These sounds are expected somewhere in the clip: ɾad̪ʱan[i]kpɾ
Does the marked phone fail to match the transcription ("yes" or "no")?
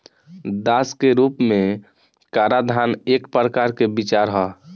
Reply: yes